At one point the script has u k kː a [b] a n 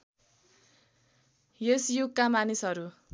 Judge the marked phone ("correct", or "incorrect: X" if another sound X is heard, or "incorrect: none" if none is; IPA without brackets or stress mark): incorrect: m